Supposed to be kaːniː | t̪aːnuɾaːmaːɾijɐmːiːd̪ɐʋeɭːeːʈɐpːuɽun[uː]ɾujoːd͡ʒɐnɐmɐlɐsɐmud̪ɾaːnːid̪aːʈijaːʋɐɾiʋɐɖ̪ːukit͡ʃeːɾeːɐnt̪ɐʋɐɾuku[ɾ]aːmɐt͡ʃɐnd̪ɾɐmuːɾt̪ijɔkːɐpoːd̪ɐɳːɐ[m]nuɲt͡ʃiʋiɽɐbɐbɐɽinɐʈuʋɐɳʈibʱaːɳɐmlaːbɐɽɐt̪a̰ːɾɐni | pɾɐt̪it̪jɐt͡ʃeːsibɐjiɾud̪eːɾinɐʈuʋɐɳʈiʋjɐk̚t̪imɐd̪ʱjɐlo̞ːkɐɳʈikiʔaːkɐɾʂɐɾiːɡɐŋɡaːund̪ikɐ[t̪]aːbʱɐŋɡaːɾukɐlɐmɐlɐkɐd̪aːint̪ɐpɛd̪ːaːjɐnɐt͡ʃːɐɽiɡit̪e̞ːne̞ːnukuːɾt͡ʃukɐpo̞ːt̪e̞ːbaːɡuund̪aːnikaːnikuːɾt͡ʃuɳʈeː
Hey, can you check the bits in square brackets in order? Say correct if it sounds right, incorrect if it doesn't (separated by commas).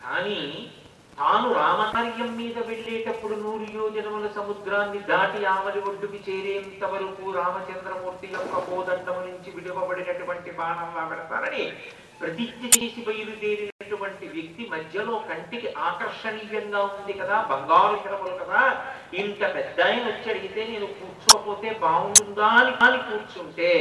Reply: correct, correct, correct, incorrect